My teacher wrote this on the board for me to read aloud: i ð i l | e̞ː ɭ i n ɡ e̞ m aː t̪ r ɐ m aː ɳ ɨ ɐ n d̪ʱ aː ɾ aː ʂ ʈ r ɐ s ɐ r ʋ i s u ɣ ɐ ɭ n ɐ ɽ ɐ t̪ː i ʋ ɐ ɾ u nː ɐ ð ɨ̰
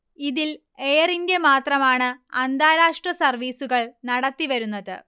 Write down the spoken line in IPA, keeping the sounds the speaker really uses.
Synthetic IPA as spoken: i ð i l | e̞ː r i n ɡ e̞ m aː t̪ r ɐ m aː ɳ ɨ ɐ n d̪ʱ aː ɾ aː ʂ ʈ r ɐ s ɐ r ʋ iː s u ɣ ɐ ɭ n ɐ ɽ ɐ t̪ː i ʋ ɐ ɾ u nː ɐ ð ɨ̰